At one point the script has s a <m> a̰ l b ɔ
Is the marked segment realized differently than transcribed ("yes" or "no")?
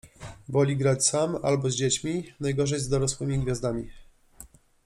no